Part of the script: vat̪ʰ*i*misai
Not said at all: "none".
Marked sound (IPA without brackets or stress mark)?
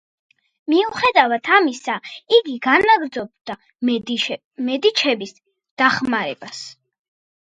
a